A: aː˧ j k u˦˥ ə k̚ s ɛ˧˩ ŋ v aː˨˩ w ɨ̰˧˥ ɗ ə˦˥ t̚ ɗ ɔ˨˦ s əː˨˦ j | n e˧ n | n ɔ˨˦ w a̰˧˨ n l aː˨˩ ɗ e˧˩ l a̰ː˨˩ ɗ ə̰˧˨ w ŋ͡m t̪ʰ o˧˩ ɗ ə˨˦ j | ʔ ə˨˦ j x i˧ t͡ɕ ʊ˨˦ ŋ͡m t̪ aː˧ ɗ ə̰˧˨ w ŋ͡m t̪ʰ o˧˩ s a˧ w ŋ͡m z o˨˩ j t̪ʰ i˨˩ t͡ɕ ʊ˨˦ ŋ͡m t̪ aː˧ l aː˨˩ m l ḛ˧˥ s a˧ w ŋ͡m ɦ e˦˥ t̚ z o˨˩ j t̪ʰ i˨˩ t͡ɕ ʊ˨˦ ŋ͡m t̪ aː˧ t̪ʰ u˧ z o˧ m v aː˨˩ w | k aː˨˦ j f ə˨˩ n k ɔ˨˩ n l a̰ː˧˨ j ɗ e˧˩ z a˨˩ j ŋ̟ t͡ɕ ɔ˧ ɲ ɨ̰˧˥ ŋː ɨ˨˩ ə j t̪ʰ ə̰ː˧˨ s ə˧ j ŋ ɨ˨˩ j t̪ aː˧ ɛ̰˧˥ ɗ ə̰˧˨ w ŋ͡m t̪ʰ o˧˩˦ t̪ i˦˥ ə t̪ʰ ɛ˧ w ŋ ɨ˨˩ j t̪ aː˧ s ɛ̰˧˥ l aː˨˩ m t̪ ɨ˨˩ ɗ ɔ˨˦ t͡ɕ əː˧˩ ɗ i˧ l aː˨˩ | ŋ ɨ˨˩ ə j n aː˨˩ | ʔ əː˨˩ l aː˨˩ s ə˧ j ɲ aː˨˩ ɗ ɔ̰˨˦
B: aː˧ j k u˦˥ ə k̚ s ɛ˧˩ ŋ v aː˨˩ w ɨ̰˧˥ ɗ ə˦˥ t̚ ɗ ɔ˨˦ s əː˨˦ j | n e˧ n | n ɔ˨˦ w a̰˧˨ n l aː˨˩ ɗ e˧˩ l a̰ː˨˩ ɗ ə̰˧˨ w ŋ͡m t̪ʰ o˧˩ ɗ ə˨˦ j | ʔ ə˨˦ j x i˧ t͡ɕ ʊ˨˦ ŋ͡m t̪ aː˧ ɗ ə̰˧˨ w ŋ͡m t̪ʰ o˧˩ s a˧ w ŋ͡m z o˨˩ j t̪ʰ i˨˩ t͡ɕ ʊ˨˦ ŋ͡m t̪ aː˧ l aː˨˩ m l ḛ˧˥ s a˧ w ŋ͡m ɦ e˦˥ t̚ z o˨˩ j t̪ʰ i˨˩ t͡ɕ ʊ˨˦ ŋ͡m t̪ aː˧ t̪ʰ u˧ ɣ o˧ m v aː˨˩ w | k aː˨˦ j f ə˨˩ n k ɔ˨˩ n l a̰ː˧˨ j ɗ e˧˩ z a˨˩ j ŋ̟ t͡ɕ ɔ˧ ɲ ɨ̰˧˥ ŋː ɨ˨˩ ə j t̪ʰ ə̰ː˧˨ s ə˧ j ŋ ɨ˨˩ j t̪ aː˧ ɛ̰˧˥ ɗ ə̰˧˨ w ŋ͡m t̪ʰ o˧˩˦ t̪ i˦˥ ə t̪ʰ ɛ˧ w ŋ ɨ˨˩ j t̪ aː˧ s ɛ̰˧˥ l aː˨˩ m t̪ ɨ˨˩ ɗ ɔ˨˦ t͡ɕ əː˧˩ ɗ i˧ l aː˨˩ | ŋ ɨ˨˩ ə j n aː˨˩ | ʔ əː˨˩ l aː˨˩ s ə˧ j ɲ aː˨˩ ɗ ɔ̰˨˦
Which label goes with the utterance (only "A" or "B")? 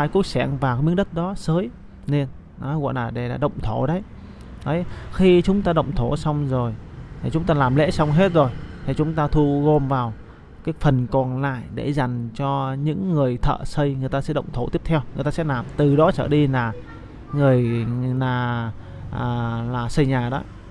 B